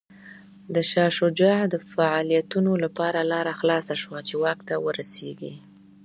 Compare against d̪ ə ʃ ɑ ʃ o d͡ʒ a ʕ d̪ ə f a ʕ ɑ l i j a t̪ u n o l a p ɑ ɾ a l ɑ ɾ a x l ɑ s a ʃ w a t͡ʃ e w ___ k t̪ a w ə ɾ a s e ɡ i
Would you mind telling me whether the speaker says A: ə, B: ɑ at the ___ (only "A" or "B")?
B